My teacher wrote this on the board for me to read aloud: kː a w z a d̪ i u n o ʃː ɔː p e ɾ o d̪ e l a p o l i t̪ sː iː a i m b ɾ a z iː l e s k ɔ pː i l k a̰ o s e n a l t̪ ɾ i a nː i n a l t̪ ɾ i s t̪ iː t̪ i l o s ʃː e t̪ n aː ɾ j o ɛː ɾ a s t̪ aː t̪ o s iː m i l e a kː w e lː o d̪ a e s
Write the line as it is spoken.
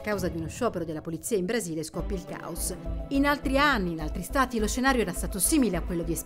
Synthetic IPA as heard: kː a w z a d̪ i u n o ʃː ɔː p e ɾ o d̪ e l a p o l i t̪ sː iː a i m b ɾ a z iː l e s k ɔ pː i l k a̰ o s i n a l t̪ ɾ i a nː i n a l t̪ ɾ i s t̪ aː t̪ i l o s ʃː e n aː ɾ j o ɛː ɾ a s t̪ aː t̪ o s iː m i l e a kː w e lː o d̪ i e s